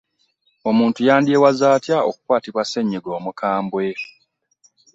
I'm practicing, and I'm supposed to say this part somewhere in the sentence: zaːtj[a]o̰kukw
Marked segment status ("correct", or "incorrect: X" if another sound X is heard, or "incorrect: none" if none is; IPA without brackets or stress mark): correct